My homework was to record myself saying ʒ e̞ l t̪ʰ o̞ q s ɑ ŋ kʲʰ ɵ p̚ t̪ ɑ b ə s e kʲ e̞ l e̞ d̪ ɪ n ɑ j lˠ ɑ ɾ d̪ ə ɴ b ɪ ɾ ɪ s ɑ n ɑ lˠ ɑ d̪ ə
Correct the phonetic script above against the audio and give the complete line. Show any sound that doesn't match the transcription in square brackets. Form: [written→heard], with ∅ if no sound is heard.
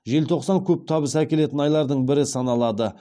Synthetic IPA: ʒ e̞ l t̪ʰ o̞ q s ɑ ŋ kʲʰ ɵ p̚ [t̪→t̪ʰ] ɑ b ə s [e→æ] kʲ e̞ l e̞ [d̪→t̪] ɪ n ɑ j lˠ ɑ ɾ d̪ ə ɴ b ɪ ɾ ɪ s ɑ n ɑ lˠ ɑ d̪ ə

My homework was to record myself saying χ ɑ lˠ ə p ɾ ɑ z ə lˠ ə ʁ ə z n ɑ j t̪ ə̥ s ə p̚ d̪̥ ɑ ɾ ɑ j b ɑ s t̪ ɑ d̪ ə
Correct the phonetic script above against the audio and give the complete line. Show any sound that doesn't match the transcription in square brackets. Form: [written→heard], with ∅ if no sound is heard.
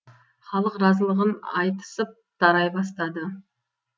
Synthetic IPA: χ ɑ lˠ ə [p→q] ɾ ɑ z ə lˠ ə ʁ ə [z→∅] n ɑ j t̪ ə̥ s ə p̚ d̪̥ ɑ ɾ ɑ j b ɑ s t̪ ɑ d̪ ə

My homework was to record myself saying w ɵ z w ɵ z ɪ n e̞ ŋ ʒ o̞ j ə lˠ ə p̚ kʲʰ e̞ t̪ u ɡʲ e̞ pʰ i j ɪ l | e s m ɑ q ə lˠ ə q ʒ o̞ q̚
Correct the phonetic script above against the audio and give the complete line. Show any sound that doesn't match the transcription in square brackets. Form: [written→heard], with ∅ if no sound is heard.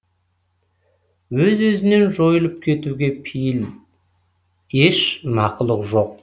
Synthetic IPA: w ɵ z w ɵ z ɪ n e̞ [ŋ→n] ʒ o̞ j ə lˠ ə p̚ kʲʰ e̞ t̪ u ɡʲ e̞ pʰ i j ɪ l | e [s→ʃ] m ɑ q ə lˠ ə q ʒ o̞ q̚

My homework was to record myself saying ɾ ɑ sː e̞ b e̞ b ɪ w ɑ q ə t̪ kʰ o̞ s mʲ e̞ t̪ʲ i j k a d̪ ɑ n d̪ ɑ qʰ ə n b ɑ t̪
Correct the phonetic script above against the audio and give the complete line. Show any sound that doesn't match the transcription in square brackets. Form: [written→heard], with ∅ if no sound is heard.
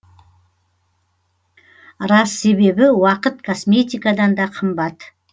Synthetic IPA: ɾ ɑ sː e̞ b e̞ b ɪ w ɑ q ə t̪ kʰ o̞ s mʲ e̞ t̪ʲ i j k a d̪ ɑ n d̪ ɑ qʰ ə [n→m] b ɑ t̪

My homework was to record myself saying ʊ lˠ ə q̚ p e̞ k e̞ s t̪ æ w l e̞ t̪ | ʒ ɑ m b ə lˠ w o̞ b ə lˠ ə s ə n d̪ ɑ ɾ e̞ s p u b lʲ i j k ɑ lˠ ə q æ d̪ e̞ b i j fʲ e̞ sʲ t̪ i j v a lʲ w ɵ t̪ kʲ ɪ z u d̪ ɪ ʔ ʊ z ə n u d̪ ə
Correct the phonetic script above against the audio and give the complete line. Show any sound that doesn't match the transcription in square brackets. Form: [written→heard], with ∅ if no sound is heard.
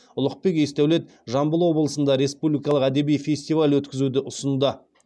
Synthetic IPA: ʊ lˠ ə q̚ p e̞ k e̞ s t̪ æ w l e̞ t̪ | ʒ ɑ m b ə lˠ w o̞ b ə lˠ ə s ə n d̪ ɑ ɾ e̞ s p u b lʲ i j k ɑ lˠ ə q æ d̪ e̞ b i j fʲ e̞ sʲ t̪ i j v a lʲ w ɵ t̪ kʲ ɪ z u d̪ ɪ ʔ ʊ [z→s] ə n u d̪ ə

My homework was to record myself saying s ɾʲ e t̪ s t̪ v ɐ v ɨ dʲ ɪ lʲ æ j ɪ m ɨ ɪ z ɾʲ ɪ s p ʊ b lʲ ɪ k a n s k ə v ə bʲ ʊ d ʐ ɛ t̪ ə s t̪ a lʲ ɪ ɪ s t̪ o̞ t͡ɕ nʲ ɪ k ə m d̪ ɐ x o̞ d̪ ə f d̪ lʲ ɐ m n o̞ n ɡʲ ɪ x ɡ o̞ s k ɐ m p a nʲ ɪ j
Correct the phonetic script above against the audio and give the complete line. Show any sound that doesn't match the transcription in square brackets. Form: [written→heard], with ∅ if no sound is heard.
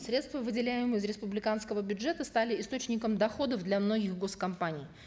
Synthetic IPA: s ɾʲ e t̪ s t̪ v [ɐ→ə] v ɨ dʲ ɪ lʲ æ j ɪ m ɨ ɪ z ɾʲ ɪ s p ʊ b lʲ ɪ k a n s k ə v ə bʲ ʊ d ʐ ɛ t̪ ə s t̪ a lʲ ɪ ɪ s t̪ o̞ t͡ɕ nʲ ɪ k ə m d̪ ɐ x o̞ d̪ ə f d̪ lʲ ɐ m n o̞ [n→∅] ɡʲ ɪ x ɡ o̞ s k ɐ m p a nʲ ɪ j

